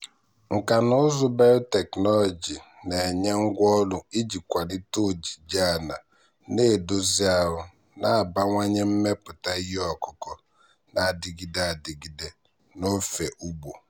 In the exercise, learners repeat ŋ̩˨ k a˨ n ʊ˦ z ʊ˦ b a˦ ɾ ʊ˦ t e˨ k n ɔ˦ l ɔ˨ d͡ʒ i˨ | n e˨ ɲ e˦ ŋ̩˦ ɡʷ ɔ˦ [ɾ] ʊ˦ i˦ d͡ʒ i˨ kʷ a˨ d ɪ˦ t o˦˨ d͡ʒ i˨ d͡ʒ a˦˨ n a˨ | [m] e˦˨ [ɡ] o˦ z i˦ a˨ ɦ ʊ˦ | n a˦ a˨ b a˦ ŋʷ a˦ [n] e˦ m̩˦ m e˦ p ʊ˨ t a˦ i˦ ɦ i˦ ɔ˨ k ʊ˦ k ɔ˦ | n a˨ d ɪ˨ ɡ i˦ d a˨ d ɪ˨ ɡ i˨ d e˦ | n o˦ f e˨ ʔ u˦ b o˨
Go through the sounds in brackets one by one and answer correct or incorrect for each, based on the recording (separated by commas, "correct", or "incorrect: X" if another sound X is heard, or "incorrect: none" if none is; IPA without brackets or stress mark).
incorrect: l, incorrect: n, incorrect: d, incorrect: ɲ